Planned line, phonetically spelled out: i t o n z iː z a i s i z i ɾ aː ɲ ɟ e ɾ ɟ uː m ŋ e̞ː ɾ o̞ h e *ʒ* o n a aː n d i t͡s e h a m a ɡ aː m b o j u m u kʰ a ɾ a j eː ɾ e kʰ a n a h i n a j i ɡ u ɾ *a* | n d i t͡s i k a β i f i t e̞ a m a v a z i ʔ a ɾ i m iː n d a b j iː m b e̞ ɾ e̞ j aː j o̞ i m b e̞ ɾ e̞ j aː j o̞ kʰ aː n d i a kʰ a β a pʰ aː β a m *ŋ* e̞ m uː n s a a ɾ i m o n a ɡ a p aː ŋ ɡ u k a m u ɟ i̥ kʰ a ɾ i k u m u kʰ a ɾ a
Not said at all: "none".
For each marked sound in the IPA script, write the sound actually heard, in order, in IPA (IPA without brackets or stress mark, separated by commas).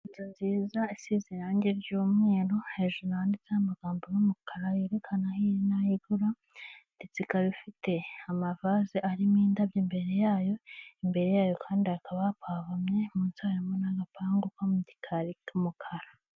ʒ, a, ɲ